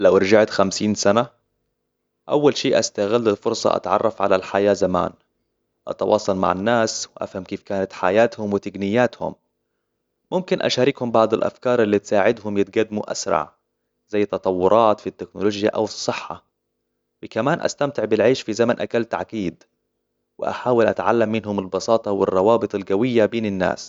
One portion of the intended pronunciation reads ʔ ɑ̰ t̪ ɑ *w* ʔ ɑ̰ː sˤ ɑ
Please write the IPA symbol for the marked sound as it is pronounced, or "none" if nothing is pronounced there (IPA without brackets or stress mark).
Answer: w